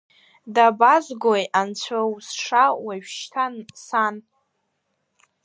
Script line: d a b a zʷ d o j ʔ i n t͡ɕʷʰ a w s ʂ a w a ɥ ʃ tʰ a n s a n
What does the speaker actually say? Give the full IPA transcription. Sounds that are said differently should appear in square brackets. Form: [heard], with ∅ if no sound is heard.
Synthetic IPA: d a b a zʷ [ɡ] o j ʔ [a] n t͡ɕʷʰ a w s ʂ a w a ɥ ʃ tʰ a n s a n